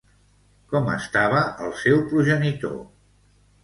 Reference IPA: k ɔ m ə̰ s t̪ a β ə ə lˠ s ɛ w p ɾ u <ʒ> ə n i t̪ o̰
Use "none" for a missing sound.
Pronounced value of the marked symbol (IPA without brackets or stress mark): ʒ